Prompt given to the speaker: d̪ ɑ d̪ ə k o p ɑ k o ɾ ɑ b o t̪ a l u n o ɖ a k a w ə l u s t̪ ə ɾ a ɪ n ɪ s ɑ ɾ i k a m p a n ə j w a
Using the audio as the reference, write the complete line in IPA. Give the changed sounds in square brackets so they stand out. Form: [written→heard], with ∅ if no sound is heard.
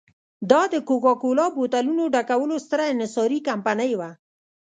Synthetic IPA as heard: d̪ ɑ d̪ ə k o [p→k] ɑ k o [ɾ→l] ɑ b o t̪ a l u n o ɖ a k a w ə l [u→o] s t̪ ə ɾ a ɪ n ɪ s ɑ ɾ i k a m p a n ə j w a